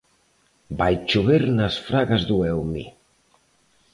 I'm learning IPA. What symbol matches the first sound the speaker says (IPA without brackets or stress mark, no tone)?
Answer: b